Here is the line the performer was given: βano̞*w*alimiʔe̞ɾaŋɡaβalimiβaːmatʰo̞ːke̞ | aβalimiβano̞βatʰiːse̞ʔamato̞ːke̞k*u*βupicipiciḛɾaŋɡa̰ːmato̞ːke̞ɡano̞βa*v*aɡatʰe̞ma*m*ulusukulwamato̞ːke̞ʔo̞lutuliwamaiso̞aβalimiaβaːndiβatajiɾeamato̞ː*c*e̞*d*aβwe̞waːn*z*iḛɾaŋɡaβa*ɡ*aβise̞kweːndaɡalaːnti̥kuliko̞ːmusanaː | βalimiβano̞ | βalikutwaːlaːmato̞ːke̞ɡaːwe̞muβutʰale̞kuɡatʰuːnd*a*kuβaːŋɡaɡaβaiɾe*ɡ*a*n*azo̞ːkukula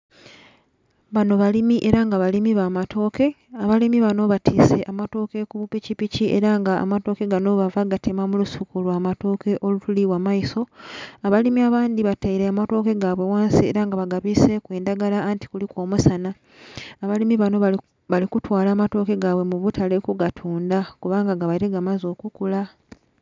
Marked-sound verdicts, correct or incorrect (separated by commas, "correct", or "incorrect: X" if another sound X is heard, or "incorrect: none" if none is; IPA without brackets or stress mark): incorrect: β, correct, correct, correct, incorrect: k, incorrect: ɡ, incorrect: s, correct, correct, correct, incorrect: m